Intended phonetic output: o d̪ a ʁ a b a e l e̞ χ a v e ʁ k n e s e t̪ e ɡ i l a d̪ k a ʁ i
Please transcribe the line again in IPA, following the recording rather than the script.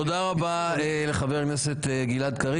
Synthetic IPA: o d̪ a ʁ a b a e l e̞ χ a v e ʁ k n e s e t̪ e ɡ i l a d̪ k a ʁ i